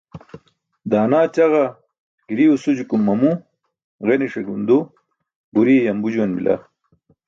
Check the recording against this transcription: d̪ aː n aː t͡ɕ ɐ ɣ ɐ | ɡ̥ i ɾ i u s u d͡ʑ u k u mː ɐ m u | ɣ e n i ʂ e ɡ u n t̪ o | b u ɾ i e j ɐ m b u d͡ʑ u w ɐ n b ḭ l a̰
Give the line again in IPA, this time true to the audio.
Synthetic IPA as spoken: d̪ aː n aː t͡ɕ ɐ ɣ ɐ | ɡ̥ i ɾ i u s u d͡ʑ u k u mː ɐ m u | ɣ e n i ʂ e ɡ u n d̪ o | b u ɾ i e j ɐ m b u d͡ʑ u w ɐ n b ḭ l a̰